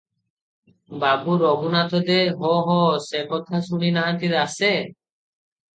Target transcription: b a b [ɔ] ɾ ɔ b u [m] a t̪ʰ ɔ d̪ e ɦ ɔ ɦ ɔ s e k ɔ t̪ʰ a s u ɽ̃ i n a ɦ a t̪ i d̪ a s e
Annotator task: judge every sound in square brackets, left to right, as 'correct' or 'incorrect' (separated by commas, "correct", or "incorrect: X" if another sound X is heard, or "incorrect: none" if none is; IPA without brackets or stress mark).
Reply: incorrect: u, incorrect: n